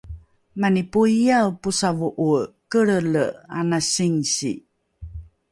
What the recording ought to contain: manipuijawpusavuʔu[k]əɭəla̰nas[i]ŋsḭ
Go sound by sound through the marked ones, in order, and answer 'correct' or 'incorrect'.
correct, correct

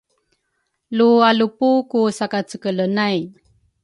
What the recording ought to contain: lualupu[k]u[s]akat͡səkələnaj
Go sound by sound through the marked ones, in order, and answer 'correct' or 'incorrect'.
correct, correct

